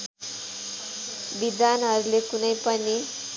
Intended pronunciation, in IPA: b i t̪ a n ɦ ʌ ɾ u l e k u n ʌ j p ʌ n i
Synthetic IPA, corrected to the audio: b i d̪ a n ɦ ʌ ɾ u l e k u n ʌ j p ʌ n i